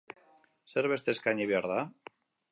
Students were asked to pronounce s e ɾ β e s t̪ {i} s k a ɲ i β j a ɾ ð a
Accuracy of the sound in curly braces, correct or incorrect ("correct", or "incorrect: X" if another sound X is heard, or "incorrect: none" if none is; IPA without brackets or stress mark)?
incorrect: e